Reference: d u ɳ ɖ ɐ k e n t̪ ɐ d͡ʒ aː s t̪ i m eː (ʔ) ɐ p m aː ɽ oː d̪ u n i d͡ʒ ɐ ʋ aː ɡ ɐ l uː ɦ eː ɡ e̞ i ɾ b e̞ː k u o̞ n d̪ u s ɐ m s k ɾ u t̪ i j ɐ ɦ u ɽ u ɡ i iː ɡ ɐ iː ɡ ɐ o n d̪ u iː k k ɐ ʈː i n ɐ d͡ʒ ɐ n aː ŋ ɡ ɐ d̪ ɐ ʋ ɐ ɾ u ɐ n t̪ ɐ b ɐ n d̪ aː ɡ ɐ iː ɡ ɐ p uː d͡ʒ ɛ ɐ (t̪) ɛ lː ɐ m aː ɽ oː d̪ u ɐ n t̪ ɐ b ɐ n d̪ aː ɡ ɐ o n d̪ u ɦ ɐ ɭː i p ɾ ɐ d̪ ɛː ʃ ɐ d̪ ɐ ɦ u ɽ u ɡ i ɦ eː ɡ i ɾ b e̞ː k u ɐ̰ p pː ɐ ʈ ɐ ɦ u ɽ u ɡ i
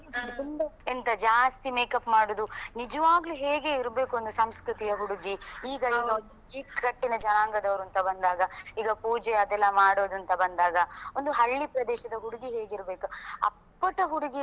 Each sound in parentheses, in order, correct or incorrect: incorrect, incorrect

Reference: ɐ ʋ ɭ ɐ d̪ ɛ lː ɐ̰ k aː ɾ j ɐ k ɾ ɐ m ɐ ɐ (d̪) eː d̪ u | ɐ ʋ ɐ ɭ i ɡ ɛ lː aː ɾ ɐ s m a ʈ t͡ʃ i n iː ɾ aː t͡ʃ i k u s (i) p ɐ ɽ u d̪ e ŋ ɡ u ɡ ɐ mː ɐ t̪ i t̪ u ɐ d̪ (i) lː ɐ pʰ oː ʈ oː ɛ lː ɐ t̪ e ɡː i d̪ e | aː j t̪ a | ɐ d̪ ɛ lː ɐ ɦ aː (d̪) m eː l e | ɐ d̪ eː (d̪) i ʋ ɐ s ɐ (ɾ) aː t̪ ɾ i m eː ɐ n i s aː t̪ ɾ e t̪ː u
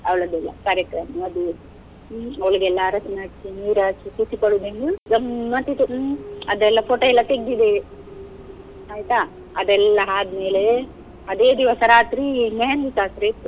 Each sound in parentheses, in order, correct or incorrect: correct, correct, incorrect, correct, correct, correct

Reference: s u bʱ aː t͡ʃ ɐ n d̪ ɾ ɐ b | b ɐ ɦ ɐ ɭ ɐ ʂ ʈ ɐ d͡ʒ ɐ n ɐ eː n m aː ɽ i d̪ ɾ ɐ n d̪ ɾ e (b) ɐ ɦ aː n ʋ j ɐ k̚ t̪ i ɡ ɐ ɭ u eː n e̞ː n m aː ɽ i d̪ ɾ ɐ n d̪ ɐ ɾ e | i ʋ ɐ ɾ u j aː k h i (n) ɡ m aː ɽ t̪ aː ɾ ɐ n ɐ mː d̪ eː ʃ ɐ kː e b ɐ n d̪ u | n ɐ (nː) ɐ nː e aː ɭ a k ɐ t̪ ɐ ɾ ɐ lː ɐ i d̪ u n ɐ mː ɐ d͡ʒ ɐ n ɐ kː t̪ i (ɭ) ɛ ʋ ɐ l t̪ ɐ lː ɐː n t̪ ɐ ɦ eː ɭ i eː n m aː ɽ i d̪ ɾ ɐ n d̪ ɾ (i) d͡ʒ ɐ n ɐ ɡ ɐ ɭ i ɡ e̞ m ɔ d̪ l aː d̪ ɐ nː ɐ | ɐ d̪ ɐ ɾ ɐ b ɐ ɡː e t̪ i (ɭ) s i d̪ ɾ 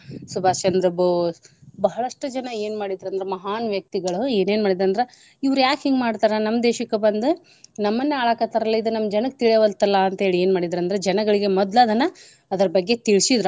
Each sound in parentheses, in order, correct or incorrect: incorrect, incorrect, incorrect, correct, incorrect, correct

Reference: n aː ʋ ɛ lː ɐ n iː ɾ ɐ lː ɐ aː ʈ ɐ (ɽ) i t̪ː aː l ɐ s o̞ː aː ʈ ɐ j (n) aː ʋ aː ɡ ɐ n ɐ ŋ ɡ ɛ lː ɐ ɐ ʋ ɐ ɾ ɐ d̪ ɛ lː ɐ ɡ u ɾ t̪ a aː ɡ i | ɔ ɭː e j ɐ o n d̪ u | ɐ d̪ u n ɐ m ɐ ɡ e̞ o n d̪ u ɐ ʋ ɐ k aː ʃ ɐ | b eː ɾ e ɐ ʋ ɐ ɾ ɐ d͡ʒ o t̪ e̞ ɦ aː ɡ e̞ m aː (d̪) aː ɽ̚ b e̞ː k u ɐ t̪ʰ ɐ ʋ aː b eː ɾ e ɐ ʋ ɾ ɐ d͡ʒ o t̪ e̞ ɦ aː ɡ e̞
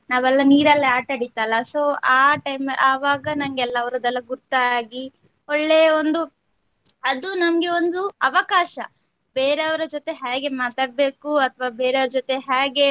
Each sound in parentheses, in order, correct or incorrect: correct, incorrect, incorrect

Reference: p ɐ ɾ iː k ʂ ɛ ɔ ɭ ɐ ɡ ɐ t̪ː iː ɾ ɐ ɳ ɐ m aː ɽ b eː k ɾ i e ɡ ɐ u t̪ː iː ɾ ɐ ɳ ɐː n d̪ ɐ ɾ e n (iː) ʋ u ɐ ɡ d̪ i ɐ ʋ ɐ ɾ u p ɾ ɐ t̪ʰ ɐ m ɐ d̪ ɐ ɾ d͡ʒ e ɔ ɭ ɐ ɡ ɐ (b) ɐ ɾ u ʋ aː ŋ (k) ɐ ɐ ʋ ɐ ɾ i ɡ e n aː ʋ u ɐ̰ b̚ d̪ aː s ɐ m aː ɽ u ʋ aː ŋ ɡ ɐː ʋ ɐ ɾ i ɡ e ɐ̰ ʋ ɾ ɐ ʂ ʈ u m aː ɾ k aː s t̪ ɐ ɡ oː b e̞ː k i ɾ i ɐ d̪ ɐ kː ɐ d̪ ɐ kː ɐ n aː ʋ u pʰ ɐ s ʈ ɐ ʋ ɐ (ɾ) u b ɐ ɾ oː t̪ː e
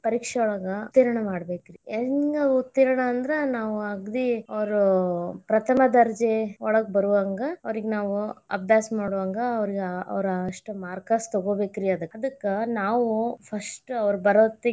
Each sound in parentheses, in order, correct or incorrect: incorrect, correct, incorrect, correct

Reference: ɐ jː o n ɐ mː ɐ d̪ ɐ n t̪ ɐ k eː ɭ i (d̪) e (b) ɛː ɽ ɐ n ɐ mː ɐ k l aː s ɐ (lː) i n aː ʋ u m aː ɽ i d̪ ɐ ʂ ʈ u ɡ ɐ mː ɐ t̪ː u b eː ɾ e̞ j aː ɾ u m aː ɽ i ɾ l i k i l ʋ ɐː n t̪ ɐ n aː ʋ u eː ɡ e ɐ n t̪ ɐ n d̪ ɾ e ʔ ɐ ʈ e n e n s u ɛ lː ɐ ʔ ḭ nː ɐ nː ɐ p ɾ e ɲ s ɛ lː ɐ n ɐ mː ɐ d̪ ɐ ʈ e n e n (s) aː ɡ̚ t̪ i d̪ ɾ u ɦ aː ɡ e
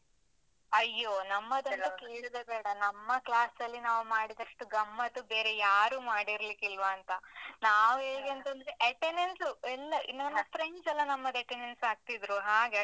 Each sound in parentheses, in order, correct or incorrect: correct, correct, correct, correct

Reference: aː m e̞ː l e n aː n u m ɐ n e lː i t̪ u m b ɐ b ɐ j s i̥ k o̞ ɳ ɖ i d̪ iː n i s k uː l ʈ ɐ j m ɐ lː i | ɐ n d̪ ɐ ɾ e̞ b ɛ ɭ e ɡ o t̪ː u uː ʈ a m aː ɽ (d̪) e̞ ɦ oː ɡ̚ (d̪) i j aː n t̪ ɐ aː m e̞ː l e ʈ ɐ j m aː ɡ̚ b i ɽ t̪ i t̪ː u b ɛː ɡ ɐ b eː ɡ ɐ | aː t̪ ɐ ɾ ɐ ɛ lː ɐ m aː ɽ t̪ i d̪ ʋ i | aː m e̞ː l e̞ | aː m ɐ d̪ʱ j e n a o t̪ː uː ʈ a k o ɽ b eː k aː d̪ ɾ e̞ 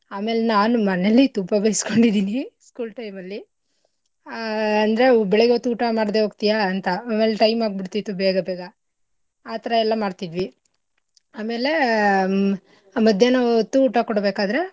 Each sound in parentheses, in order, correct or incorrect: correct, incorrect

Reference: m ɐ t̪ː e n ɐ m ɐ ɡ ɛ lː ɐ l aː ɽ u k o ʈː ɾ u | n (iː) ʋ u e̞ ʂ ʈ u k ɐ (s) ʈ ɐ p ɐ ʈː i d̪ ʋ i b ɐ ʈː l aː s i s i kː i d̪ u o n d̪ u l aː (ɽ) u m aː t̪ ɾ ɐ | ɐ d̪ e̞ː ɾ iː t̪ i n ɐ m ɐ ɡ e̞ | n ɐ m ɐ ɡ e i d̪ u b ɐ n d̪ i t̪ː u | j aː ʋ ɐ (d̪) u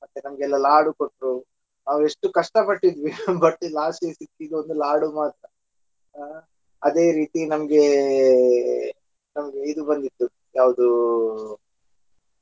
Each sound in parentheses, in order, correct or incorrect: incorrect, incorrect, correct, correct

